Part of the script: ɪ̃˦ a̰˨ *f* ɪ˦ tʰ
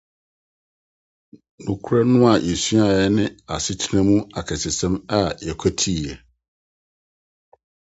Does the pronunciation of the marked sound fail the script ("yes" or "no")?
yes